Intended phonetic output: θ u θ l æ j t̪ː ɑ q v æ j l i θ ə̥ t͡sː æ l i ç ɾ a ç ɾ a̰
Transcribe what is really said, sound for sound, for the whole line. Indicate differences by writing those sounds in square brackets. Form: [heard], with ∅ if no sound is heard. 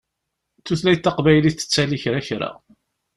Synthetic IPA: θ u θ l æ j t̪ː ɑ q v æ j l i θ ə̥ t͡sː æ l i ç ɾ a ç ɾ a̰